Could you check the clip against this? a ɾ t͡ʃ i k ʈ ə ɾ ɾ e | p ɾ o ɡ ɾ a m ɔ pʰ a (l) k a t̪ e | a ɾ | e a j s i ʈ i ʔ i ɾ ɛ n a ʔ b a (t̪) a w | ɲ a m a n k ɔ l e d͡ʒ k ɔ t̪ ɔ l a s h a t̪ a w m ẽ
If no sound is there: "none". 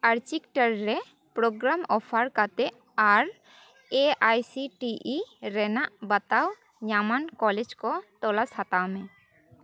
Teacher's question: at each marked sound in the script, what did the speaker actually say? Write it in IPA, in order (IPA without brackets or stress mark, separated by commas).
ɾ, t̪